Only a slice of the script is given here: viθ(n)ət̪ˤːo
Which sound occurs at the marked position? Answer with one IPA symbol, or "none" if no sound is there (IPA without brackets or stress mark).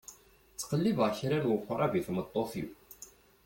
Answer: m